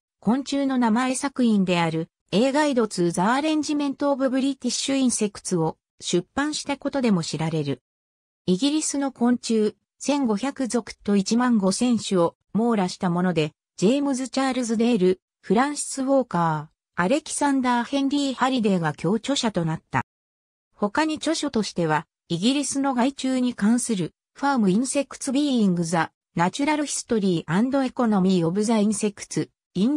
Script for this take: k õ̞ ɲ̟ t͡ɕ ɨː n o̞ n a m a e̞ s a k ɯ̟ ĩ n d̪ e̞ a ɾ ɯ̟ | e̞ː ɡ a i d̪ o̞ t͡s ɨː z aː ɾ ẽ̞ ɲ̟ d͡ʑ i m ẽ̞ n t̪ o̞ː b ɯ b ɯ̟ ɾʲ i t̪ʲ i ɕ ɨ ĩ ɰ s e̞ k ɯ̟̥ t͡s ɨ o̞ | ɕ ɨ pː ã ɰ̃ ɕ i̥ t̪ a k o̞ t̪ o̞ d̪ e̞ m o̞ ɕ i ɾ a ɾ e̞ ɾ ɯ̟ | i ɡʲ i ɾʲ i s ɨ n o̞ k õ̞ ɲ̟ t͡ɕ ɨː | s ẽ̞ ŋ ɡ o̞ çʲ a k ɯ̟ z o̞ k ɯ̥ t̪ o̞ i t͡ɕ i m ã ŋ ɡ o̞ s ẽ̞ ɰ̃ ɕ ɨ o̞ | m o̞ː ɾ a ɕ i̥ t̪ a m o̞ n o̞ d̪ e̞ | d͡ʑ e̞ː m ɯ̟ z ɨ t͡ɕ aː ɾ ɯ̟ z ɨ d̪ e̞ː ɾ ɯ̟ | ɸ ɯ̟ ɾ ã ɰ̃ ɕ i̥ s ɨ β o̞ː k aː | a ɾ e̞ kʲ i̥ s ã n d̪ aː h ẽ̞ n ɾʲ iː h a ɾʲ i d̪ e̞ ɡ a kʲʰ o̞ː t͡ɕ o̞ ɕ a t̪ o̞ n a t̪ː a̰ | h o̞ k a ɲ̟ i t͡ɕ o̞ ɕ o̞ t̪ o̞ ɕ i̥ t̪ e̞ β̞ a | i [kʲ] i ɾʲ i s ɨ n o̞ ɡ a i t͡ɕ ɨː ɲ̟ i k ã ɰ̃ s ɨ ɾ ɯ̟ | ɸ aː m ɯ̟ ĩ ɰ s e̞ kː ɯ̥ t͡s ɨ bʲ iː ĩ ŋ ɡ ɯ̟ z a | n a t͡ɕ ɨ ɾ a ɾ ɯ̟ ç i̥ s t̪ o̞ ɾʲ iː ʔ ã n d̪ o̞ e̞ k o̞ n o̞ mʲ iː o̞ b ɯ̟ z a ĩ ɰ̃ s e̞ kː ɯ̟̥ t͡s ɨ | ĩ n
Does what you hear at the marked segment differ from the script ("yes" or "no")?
yes